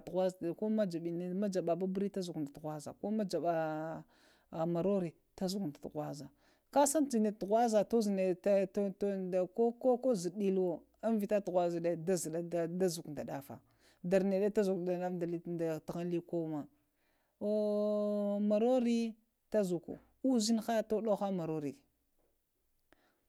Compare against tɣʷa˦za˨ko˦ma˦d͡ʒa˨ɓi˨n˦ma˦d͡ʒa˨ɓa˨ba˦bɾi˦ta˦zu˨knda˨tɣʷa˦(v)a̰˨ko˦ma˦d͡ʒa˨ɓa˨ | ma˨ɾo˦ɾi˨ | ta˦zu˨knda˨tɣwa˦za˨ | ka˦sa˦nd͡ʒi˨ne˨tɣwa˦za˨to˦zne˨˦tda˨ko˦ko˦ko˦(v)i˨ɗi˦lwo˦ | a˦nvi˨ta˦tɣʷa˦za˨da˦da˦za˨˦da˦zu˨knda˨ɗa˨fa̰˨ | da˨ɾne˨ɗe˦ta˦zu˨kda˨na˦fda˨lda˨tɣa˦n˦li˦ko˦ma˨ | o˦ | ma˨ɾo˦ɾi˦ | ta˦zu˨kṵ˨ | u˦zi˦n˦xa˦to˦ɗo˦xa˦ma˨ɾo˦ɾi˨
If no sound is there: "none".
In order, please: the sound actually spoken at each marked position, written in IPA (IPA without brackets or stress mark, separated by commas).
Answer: z, z